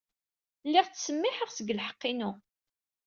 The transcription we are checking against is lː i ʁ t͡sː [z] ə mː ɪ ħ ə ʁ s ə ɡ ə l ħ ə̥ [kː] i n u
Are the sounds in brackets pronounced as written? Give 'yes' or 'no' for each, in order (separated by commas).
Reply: no, no